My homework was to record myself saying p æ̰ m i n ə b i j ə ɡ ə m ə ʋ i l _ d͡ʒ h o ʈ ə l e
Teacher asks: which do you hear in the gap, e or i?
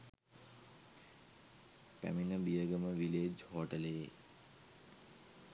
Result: e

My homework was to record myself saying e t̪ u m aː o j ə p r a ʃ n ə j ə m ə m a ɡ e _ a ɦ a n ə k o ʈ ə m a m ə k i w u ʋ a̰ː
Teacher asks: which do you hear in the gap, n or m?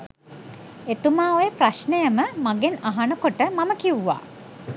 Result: n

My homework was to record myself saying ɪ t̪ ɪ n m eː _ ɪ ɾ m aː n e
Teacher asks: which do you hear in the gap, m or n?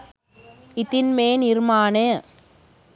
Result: n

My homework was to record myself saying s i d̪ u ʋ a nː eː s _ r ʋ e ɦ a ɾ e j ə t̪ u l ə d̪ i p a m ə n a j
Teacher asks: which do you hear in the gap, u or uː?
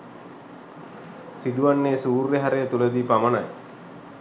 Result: uː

